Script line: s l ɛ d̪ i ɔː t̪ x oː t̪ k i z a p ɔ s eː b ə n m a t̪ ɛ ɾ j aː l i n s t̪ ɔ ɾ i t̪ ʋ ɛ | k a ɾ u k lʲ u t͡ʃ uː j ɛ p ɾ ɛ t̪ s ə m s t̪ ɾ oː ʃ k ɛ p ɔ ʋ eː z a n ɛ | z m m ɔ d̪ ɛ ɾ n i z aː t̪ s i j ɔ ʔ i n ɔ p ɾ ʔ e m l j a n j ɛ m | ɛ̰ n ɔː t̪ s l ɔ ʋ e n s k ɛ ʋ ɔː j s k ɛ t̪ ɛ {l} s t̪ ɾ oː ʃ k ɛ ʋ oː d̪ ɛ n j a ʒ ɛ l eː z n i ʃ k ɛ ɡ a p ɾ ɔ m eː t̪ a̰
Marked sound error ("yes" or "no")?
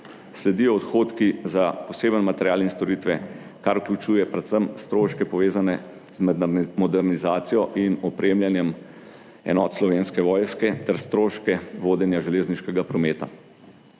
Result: yes